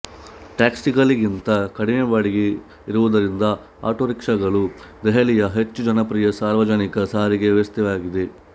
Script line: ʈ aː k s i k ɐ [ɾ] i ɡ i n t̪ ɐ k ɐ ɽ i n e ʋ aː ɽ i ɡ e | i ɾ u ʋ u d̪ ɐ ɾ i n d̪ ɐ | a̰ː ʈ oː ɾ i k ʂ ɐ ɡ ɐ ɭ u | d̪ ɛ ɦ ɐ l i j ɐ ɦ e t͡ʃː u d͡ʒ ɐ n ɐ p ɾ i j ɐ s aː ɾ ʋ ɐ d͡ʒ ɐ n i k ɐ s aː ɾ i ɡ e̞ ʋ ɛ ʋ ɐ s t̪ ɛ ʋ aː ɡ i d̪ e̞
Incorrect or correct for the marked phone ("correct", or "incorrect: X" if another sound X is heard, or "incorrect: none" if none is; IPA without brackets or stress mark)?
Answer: incorrect: l